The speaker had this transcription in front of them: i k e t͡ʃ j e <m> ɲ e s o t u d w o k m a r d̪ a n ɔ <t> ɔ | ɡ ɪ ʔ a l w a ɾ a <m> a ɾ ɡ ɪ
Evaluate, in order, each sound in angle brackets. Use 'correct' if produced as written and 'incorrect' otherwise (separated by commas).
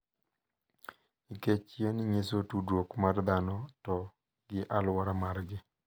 incorrect, correct, correct